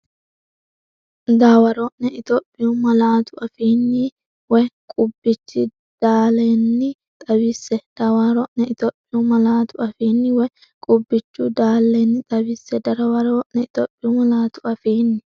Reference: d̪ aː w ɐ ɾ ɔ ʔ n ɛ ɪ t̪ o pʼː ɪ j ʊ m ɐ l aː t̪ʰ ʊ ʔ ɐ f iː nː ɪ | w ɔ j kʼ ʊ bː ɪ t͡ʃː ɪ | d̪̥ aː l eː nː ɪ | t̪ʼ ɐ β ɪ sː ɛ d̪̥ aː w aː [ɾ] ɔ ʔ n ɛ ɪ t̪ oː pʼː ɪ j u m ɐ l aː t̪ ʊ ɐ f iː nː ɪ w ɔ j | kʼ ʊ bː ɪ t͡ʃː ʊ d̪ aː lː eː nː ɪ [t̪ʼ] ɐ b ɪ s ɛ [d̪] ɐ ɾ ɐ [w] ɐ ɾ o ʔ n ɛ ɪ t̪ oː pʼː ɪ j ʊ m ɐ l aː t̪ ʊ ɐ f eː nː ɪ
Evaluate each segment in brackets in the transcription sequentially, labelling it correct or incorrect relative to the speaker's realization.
correct, correct, correct, correct

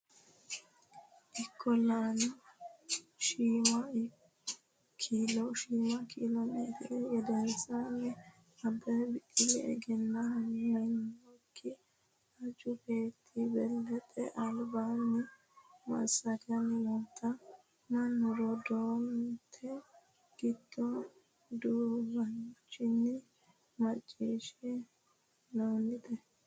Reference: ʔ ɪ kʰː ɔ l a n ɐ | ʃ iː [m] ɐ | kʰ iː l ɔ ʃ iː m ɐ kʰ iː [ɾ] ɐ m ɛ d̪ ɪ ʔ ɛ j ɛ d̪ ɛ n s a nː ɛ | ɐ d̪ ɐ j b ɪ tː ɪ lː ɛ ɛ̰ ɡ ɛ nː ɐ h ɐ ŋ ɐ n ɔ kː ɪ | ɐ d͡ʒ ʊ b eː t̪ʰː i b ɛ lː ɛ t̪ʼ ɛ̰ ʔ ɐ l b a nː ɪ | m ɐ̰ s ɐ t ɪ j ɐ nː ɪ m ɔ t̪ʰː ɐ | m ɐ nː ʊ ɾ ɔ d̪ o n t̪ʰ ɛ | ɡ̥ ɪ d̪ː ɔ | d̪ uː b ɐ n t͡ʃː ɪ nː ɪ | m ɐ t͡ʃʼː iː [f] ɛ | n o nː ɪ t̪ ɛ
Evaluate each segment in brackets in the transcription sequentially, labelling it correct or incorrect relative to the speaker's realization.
correct, incorrect, incorrect

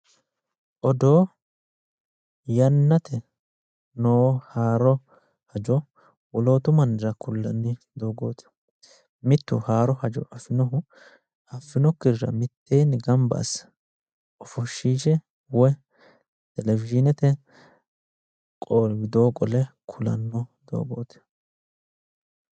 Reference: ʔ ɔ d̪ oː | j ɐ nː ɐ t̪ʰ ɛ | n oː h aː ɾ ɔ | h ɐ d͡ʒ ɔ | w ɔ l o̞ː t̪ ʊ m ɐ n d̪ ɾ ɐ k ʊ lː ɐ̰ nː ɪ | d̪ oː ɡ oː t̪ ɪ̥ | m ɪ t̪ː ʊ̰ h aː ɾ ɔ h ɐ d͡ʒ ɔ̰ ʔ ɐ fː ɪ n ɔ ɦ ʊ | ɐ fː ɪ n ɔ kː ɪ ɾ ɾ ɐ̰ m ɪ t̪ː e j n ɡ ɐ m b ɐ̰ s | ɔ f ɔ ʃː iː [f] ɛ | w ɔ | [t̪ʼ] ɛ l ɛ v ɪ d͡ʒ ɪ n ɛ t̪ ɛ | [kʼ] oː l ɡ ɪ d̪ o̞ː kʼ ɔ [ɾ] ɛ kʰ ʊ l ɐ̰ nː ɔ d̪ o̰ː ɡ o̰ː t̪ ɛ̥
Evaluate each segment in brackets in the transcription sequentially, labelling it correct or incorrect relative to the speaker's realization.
incorrect, incorrect, correct, incorrect

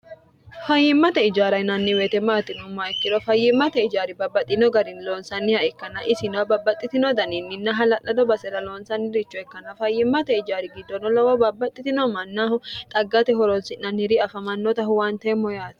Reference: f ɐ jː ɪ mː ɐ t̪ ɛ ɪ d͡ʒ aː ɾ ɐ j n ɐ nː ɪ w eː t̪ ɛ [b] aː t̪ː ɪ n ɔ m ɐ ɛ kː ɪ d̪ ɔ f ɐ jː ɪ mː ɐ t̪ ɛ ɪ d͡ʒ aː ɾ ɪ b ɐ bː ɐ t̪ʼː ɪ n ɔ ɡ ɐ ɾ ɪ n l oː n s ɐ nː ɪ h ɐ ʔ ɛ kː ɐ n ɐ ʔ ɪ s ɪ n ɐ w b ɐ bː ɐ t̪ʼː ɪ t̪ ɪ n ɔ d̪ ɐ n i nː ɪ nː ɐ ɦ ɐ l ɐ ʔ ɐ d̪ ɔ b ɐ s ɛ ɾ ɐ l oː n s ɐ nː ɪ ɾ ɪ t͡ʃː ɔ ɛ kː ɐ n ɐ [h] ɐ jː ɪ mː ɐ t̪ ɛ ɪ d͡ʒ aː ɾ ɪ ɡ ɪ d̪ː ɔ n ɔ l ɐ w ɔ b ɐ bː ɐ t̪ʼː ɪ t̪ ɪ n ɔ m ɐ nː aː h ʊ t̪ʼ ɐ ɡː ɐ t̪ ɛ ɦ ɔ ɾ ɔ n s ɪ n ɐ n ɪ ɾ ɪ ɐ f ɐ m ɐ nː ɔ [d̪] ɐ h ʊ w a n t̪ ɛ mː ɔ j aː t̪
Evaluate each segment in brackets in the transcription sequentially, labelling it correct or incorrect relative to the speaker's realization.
incorrect, incorrect, incorrect

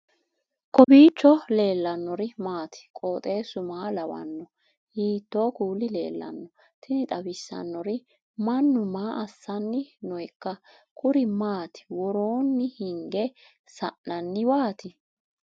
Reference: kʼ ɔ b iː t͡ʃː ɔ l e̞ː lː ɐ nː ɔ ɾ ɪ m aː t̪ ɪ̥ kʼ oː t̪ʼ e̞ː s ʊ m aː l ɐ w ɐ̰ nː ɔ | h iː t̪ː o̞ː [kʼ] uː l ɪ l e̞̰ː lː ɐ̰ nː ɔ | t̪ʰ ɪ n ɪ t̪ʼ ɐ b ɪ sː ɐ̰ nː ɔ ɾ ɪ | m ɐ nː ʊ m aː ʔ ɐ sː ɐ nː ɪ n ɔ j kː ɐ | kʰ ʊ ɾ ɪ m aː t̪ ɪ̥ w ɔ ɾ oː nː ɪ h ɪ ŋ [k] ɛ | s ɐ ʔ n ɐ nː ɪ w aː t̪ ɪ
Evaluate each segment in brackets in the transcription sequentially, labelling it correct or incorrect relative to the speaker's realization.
incorrect, incorrect

